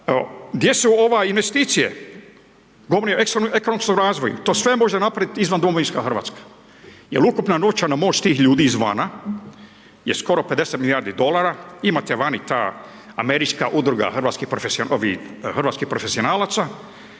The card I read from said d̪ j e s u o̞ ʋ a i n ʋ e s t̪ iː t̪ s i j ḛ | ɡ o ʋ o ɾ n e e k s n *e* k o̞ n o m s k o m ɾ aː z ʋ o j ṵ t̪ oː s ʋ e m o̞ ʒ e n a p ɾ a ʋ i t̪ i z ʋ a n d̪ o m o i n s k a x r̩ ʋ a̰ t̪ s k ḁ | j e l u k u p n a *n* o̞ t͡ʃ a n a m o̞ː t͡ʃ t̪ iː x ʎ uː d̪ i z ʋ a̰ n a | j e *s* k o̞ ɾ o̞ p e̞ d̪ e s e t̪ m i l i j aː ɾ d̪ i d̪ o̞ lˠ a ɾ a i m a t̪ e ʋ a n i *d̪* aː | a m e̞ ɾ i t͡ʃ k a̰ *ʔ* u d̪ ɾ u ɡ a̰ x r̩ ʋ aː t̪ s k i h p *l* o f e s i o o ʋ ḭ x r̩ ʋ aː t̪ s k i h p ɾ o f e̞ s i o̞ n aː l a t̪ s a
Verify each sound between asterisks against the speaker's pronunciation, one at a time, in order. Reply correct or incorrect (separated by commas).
correct, correct, correct, incorrect, correct, incorrect